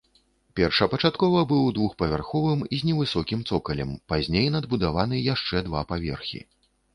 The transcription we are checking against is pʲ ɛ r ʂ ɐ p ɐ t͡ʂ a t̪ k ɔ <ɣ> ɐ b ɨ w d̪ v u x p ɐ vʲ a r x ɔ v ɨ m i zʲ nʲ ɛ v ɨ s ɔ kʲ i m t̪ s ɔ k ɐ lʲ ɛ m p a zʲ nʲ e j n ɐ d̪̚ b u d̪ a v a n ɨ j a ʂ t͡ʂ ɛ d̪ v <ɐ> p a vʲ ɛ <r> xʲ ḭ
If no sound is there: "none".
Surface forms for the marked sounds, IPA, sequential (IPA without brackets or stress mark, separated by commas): v, a, r